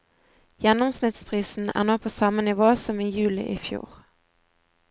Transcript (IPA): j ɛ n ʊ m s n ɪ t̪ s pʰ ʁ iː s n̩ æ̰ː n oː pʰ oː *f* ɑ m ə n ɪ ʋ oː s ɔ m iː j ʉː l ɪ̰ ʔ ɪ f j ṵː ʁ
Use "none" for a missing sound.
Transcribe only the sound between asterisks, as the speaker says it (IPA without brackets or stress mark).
s